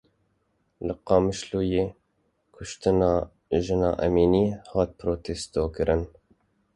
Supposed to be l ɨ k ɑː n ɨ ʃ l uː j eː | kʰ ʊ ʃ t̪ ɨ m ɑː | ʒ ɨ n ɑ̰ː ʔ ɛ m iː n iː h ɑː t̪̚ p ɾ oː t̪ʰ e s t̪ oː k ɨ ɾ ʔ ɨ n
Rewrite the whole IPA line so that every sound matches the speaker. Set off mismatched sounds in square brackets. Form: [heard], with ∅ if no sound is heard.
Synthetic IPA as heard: l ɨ [q] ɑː [m] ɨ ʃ l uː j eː | kʰ ʊ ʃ t̪ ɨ [n] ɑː | ʒ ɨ n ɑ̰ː ʔ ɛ m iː n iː h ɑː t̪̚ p ɾ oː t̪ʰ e s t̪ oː k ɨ ɾ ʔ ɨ n